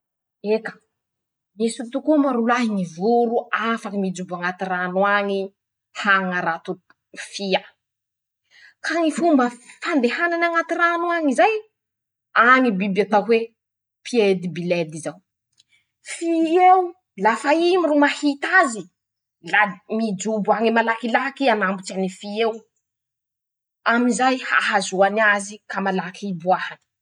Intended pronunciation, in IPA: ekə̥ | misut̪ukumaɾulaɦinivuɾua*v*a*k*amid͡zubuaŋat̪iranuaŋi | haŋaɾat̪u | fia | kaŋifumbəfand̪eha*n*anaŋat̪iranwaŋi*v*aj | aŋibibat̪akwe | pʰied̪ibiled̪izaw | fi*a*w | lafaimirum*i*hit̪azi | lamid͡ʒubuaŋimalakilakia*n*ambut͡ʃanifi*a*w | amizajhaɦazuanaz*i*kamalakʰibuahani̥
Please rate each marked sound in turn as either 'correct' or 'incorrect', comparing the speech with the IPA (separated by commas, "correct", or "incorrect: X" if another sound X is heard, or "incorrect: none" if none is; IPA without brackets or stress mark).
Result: incorrect: f, correct, correct, incorrect: z, incorrect: e, incorrect: a, correct, incorrect: e, correct